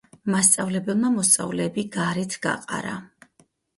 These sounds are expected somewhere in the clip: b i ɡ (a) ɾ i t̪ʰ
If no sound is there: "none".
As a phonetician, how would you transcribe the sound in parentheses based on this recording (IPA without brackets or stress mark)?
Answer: a